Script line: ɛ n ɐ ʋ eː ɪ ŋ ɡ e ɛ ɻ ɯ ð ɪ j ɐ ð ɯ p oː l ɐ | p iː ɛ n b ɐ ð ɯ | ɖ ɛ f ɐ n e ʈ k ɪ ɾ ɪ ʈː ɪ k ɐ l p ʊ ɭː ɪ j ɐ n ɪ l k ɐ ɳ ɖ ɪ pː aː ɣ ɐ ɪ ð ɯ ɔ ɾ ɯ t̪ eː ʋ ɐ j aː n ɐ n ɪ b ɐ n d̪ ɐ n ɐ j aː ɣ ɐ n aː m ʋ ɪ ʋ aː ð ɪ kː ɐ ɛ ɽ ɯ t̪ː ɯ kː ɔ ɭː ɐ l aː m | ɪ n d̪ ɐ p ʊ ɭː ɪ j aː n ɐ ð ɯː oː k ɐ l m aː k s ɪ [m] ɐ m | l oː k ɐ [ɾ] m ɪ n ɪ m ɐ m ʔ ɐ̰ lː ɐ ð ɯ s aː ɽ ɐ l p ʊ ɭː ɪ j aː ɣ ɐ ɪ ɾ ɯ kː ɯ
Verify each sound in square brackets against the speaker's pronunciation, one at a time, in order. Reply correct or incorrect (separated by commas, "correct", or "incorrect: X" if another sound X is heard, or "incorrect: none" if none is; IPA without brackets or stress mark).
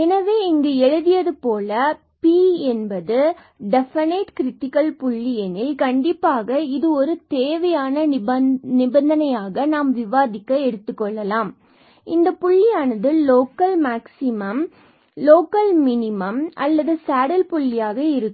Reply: correct, incorrect: l